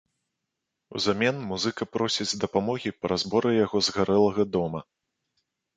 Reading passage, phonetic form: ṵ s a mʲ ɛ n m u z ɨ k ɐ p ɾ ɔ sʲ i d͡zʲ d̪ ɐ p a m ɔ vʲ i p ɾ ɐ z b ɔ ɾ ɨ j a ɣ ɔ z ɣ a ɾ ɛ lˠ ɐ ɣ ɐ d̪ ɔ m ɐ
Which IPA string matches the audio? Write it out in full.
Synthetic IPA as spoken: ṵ z a mʲ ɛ n m u z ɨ k ɐ p ɾ ɔ sʲ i d͡zʲ d̪ ɐ p a m ɔ ɣʲ i p ɾ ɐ z b ɔ ɾ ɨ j a ɣ ɔ z ɣ a ɾ ɛ lˠ ɐ ɣ ɐ d̪ ɔ m ɐ